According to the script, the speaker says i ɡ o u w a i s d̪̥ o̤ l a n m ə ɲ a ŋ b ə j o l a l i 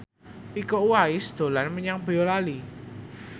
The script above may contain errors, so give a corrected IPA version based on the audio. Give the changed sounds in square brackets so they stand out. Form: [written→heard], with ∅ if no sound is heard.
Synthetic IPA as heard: i [ɡ→k] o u w a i s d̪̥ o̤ l a n m ə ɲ a ŋ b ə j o l a l i